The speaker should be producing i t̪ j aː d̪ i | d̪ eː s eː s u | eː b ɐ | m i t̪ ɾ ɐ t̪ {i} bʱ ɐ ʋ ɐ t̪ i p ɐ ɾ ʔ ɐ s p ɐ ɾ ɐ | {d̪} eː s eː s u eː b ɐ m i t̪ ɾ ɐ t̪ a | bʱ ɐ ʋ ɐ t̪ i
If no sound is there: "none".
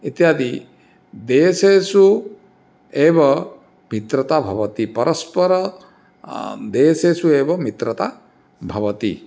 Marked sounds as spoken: a, d̪

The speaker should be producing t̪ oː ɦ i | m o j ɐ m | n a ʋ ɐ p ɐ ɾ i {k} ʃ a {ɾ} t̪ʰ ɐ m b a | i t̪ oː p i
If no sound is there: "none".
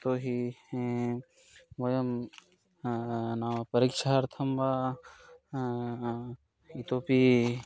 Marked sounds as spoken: k, ɾ

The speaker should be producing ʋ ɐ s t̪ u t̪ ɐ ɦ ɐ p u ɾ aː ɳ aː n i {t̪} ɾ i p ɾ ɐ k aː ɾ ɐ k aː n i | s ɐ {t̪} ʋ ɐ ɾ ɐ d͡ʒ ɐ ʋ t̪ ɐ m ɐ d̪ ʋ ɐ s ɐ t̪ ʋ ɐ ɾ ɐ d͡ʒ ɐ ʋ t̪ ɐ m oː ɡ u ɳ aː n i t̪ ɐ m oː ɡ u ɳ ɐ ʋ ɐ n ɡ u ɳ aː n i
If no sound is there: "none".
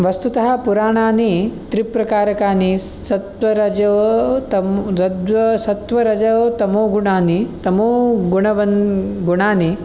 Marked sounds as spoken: t̪, t̪

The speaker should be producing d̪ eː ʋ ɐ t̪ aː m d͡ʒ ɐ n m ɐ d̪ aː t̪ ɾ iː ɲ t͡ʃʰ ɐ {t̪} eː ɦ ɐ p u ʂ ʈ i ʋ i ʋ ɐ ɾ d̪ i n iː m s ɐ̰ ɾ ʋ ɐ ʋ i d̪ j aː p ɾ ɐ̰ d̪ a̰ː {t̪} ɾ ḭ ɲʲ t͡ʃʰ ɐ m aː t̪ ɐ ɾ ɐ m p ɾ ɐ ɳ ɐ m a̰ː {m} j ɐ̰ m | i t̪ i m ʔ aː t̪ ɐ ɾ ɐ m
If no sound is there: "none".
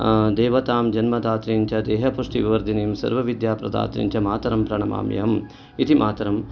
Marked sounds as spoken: d̪, t̪, m

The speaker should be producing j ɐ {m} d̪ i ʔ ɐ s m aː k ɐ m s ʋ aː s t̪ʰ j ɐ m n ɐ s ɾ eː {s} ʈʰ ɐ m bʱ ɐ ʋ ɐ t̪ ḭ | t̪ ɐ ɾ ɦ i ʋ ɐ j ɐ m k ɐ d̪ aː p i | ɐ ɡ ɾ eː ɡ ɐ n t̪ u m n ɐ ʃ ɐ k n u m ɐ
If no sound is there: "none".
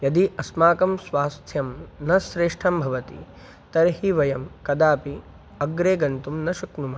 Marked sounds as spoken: none, ʂ

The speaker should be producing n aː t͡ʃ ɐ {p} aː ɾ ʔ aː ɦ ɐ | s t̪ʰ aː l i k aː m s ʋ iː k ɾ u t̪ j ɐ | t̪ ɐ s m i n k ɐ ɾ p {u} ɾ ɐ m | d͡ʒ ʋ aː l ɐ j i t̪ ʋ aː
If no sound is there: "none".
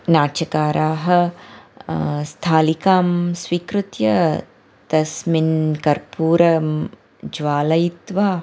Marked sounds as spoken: k, uː

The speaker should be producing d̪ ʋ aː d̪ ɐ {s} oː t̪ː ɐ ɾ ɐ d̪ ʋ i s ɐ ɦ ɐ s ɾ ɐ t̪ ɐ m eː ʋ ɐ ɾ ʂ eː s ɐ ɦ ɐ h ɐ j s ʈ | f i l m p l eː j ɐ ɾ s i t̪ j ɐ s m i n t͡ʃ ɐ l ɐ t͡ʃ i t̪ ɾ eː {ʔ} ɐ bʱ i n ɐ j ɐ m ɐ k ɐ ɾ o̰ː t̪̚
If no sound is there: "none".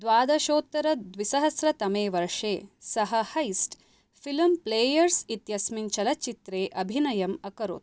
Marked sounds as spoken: ʃ, ʔ

